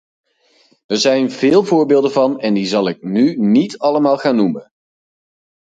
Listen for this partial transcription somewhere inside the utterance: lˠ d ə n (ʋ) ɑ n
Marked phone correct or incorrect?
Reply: incorrect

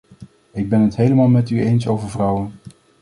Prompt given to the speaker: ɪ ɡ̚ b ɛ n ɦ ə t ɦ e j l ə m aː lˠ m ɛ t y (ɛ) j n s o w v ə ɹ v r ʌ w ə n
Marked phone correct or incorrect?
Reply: incorrect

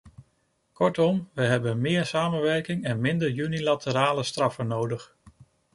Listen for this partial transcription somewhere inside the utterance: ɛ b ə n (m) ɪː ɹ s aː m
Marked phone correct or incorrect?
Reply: correct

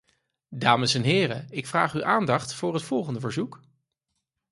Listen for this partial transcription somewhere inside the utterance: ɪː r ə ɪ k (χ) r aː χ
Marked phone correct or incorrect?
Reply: incorrect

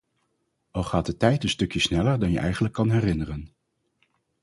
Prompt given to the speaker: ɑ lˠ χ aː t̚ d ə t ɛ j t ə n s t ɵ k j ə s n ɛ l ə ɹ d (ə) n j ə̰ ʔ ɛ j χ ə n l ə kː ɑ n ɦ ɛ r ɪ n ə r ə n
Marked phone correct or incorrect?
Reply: incorrect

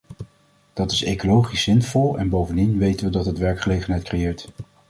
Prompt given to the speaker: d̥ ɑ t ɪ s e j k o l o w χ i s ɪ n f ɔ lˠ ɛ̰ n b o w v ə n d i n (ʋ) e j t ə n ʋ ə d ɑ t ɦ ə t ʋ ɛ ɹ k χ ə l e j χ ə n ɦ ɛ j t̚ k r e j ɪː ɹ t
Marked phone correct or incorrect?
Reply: correct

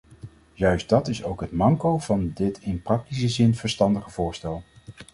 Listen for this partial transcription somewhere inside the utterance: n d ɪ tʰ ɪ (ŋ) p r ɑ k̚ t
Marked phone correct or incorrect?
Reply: incorrect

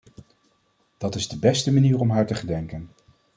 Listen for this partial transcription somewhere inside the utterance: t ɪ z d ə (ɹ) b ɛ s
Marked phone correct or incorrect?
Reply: incorrect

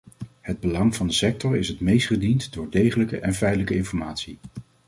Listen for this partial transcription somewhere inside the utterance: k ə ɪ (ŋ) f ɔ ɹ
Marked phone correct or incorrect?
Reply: incorrect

